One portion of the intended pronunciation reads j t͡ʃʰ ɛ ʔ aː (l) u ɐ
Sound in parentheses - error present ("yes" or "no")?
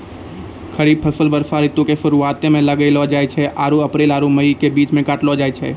yes